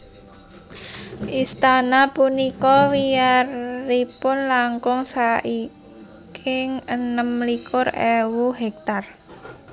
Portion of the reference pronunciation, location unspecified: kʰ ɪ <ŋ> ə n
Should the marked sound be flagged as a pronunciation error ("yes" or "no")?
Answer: no